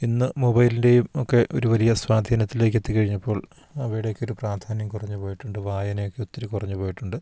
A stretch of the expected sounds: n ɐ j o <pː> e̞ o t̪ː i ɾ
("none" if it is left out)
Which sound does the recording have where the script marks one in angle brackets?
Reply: kː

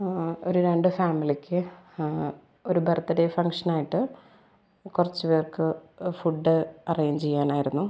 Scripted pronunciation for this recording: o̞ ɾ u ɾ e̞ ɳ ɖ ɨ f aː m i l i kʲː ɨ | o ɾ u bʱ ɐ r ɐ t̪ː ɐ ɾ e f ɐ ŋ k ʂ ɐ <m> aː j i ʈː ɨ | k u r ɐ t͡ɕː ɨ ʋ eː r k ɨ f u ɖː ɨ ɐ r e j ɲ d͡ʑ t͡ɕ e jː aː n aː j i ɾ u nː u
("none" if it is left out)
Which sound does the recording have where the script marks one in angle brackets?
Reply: n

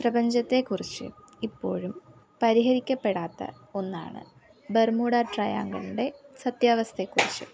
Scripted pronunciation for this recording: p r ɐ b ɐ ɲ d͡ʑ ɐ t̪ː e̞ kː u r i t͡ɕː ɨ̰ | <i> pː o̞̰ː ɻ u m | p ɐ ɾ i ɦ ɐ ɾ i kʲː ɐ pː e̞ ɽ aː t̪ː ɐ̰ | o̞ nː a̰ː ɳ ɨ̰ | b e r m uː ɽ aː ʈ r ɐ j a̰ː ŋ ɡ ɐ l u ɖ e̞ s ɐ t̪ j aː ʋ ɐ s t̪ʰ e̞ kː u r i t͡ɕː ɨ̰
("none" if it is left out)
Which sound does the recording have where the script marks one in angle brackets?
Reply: i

